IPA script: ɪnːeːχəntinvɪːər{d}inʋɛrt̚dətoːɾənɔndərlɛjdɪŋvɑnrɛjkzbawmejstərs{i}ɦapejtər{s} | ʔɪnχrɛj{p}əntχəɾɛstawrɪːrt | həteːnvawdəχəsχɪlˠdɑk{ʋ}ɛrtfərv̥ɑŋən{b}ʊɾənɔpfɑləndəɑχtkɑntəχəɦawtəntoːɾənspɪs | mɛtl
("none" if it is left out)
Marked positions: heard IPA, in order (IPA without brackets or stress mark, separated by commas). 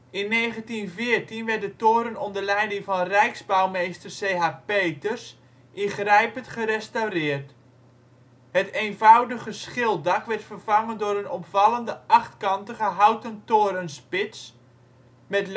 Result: t, e, s, p, ʋ, d